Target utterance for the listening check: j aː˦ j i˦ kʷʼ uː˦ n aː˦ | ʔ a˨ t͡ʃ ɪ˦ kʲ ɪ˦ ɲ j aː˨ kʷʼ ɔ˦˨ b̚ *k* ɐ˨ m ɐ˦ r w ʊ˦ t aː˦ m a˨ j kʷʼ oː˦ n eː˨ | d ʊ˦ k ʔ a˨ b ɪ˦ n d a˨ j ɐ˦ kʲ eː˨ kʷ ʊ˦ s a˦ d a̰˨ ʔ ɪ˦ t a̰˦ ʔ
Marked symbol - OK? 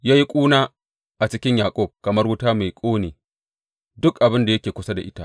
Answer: yes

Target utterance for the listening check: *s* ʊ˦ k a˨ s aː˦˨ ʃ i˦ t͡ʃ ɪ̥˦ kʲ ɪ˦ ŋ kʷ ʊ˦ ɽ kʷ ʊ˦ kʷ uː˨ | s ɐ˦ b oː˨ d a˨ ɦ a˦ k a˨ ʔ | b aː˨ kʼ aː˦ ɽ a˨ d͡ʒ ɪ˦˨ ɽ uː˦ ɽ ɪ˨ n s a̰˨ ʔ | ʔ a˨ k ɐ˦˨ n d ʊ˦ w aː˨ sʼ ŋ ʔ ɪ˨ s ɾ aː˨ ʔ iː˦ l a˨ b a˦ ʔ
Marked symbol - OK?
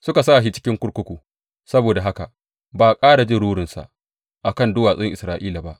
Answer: yes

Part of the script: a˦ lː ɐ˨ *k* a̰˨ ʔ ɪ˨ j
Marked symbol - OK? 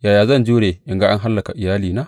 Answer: yes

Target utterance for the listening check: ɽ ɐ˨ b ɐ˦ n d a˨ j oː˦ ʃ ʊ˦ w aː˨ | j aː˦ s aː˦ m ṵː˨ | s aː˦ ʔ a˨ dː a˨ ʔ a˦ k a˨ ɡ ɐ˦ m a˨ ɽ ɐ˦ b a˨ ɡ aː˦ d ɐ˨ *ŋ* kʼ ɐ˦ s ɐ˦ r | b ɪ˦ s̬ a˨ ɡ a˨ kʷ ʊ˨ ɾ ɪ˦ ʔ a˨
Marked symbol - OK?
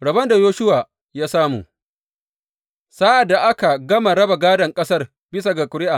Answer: yes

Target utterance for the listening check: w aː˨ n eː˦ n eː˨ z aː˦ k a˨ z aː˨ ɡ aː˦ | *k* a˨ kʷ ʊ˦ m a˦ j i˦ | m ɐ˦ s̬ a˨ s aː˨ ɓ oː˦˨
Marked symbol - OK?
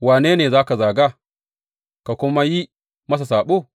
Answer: yes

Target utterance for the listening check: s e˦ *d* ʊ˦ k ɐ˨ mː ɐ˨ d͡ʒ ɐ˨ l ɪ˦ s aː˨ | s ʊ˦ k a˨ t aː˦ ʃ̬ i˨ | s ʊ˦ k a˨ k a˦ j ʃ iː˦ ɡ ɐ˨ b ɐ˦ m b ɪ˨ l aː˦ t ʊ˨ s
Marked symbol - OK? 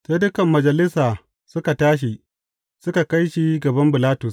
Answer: yes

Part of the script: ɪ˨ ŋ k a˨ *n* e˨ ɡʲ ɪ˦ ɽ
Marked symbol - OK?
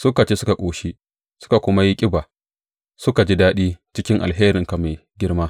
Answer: no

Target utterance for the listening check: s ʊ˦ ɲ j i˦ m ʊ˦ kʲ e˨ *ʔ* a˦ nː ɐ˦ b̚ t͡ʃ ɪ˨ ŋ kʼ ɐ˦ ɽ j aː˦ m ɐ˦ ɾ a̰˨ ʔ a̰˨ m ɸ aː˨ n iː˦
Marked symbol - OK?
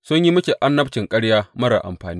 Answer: yes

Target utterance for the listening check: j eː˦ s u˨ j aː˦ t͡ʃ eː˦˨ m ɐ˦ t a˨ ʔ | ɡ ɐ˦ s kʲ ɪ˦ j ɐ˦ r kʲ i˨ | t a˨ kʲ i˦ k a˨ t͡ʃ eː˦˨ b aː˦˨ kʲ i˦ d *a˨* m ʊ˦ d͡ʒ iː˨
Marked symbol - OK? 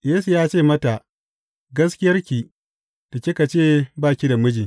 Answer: yes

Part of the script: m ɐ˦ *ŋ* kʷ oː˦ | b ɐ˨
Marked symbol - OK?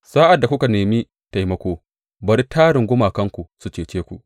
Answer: no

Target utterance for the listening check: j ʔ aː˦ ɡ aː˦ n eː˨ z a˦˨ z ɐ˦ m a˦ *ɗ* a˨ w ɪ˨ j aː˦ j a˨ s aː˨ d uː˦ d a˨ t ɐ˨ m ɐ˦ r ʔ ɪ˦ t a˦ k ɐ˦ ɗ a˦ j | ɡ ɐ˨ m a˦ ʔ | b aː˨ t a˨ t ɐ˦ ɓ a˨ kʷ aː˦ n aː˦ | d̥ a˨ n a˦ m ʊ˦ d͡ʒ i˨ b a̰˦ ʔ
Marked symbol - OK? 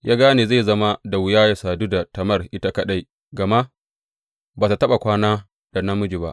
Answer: no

